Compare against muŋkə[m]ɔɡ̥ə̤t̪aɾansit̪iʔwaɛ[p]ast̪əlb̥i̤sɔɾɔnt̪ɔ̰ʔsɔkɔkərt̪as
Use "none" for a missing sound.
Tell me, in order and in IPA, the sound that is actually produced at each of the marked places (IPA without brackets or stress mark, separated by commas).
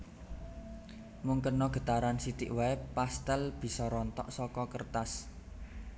n, p